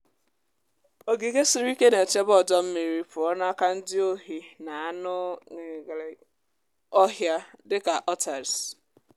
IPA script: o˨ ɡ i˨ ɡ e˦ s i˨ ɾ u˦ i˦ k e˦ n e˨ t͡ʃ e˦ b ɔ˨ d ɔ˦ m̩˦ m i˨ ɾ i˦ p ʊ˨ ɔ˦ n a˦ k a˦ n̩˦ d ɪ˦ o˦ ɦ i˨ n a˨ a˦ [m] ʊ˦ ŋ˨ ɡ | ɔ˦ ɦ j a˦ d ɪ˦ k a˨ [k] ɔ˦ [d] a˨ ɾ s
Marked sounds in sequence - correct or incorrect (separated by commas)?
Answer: incorrect, incorrect, incorrect